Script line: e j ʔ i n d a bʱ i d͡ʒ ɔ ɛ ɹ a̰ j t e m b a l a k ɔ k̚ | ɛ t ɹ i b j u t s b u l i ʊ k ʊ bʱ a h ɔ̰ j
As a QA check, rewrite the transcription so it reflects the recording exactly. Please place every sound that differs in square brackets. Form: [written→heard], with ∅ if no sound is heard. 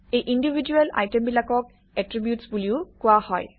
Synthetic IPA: e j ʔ i n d [a→i] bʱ i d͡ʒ [ɔ→u] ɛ [ɹ→l] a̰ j t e m b [a→i] l a k ɔ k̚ | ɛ t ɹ i b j u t s b u l i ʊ k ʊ [bʱ→∅] a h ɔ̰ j